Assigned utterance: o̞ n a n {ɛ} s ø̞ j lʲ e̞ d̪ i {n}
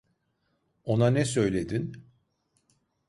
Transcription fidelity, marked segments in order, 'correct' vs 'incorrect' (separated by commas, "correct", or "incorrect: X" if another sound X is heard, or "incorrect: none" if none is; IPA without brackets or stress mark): correct, correct